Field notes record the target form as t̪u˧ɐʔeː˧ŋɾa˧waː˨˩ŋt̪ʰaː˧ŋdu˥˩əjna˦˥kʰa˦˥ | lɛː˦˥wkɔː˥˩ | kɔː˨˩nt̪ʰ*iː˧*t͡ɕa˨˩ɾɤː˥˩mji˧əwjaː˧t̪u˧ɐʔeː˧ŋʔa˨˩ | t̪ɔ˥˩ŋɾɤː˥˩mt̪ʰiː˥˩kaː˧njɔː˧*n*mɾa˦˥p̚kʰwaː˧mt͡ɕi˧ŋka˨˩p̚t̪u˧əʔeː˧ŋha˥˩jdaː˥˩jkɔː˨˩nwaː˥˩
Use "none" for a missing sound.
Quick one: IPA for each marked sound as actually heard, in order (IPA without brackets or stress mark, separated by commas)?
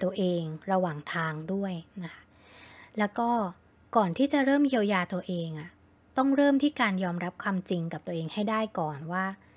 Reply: iː˥˩, none